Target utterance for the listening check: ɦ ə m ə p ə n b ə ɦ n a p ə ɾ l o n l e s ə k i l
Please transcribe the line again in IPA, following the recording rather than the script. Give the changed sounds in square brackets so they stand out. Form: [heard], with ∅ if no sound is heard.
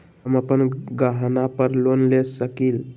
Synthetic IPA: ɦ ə m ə p ə n [ɡ] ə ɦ n a p ə ɾ l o n l e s ə k i l